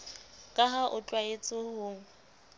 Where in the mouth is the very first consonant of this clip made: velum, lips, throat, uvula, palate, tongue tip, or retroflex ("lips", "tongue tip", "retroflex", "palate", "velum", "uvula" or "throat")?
velum